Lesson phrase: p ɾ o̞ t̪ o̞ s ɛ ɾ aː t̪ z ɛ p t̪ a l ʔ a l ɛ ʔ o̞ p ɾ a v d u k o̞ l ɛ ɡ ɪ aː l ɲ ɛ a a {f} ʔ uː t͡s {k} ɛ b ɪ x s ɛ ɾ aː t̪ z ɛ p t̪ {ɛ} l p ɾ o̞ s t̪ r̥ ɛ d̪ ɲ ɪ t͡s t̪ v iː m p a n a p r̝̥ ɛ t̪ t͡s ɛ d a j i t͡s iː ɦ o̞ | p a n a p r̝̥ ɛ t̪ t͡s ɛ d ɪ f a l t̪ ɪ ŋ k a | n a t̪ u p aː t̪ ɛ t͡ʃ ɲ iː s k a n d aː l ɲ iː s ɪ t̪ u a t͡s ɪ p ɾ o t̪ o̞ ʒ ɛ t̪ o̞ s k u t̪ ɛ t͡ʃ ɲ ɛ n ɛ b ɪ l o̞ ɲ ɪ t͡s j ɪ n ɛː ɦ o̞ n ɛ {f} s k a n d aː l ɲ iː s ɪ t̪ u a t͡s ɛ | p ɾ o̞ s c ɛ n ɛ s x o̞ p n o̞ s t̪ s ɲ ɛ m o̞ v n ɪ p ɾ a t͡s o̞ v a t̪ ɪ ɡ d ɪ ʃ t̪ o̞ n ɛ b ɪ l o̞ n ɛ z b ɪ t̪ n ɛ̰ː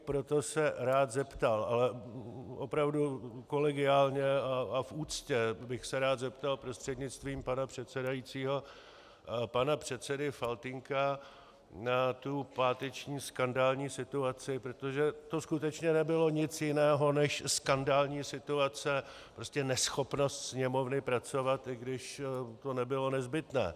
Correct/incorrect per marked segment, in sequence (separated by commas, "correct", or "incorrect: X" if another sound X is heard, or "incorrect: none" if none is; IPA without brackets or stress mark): correct, incorrect: c, incorrect: a, incorrect: ʃ